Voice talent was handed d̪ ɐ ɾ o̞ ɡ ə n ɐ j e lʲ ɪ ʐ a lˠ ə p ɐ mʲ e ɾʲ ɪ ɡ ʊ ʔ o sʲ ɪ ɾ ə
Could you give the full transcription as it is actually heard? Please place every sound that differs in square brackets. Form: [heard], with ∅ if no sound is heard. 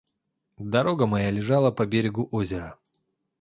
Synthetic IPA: d̪ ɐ ɾ o̞ ɡ ə [m] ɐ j [a] lʲ ɪ ʐ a lˠ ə p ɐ [bʲ] e ɾʲ ɪ ɡ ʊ ʔ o [zʲ] ɪ ɾ ə